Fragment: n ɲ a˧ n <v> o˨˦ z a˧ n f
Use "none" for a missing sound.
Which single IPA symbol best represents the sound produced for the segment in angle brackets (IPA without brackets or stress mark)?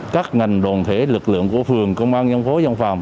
f